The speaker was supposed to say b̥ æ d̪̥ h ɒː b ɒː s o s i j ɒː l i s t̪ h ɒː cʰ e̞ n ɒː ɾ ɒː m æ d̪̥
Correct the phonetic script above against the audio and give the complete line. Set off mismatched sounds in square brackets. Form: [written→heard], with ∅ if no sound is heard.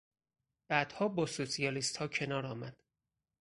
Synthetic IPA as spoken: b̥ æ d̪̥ h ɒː b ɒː s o s i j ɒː l i s t̪ h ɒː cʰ e̞ n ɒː ɾ ɒː m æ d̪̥